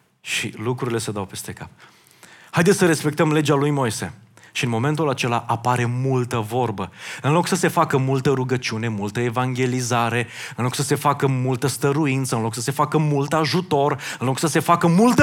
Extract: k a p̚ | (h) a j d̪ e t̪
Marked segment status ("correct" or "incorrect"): correct